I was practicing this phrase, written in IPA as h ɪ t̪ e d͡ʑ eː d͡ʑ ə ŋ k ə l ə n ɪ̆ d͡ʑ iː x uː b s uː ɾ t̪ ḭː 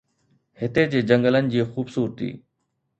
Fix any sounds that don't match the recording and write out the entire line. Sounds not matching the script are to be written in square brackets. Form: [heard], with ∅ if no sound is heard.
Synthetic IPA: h ɪ t̪ e d͡ʑ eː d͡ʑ ə ŋ [ɡ] ə l ə n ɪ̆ d͡ʑ iː x uː b s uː ɾ t̪ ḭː